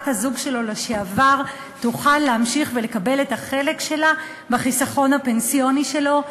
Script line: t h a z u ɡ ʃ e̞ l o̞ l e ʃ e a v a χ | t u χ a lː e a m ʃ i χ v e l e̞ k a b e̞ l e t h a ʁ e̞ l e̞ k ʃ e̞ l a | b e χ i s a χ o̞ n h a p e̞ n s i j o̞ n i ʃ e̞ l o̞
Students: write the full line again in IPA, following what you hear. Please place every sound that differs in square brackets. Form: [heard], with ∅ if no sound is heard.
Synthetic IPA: t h a z u ɡ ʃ e̞ l o̞ l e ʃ e a v a [ʁ] | t u χ a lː e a m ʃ i χ v e l e̞ k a b e̞ l e t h a [χ] e̞ l e̞ k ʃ e̞ l a | b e χ i s a χ o̞ n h a p e̞ n s i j o̞ n i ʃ e̞ l o̞